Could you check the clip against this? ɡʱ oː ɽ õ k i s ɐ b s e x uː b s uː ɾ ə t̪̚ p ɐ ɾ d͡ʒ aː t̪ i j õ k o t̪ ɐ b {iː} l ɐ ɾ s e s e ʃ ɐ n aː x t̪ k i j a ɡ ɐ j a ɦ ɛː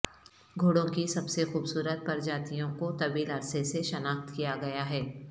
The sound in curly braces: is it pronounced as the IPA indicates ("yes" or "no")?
yes